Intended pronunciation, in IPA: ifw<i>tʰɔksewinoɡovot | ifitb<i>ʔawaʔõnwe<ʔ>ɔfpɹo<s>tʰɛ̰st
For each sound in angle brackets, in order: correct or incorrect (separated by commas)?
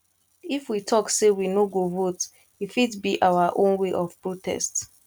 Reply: correct, correct, correct, incorrect